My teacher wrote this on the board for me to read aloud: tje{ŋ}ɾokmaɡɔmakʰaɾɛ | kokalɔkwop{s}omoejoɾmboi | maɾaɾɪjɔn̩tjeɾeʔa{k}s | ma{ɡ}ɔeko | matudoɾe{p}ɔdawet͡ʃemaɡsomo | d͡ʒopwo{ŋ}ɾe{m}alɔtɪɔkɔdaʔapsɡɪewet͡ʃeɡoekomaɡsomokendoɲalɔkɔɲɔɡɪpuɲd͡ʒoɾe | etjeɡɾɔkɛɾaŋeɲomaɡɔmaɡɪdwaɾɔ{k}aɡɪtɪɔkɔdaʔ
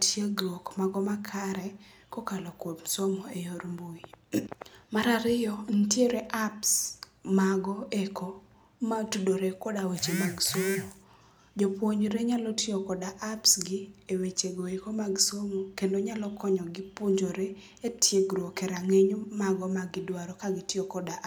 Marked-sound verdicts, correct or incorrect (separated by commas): incorrect, correct, incorrect, correct, incorrect, incorrect, incorrect, correct